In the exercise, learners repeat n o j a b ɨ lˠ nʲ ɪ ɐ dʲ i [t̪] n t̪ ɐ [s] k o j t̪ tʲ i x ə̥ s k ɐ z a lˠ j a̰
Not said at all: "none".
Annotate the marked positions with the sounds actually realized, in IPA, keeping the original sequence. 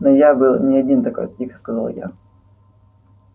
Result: none, none

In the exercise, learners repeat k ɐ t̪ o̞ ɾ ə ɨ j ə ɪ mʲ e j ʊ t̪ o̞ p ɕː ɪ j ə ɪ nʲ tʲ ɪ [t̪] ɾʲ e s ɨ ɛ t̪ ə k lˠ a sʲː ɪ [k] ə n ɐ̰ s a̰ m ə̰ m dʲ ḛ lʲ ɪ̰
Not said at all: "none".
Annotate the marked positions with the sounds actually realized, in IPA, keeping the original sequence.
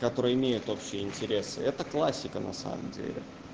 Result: none, k

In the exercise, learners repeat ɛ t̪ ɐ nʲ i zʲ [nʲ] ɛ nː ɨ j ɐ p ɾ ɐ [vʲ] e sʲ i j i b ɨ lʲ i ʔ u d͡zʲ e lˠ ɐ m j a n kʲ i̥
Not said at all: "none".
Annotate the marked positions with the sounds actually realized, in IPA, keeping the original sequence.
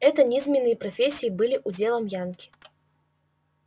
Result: mʲ, fʲ

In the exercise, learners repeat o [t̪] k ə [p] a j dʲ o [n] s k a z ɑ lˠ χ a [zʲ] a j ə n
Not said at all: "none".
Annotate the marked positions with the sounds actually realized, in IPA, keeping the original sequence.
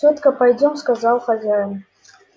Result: t̪, p, m, zʲ

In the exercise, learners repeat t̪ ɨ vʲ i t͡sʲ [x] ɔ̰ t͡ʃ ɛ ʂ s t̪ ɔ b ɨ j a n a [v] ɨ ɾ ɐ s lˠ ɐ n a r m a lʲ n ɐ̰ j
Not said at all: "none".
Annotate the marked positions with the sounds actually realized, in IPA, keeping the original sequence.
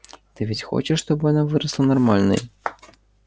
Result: x, v

